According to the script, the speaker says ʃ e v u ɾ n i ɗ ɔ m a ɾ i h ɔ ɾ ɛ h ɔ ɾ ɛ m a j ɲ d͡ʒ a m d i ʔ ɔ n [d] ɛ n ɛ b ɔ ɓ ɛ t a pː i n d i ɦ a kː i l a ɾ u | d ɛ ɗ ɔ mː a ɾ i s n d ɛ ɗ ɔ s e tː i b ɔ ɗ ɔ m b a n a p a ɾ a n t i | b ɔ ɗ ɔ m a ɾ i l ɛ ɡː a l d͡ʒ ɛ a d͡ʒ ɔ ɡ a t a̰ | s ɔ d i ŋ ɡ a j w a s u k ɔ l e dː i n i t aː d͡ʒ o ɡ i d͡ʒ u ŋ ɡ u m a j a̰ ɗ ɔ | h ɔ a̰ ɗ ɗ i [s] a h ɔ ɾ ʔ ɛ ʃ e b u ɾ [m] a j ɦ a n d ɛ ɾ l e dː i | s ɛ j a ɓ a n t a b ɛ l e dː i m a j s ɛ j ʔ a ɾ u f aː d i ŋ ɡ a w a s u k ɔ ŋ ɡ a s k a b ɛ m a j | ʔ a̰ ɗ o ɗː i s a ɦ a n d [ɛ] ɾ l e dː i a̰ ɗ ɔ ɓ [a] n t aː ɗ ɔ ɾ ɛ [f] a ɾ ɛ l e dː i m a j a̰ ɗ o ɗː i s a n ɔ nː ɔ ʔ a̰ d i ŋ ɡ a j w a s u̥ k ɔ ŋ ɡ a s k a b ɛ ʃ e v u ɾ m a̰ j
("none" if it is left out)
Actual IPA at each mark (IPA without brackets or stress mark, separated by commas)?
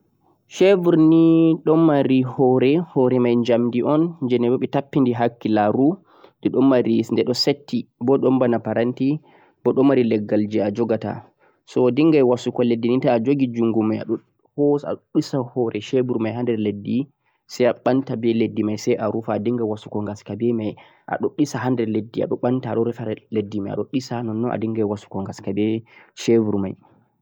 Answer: d͡ʒ, s, m, ɛ, a, f